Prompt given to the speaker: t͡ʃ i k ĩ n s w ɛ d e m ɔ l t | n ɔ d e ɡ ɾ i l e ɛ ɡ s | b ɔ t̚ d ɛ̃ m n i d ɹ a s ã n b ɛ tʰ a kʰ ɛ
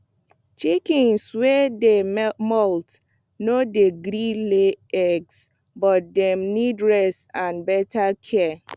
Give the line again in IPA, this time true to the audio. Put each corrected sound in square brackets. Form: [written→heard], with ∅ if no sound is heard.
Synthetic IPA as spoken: t͡ʃ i k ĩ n s w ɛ d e m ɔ l t | n [ɔ→o] d e ɡ ɾ i l e ɛ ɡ s | b ɔ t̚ d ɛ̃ m n i d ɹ [a→ɛ] s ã n b ɛ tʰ a kʰ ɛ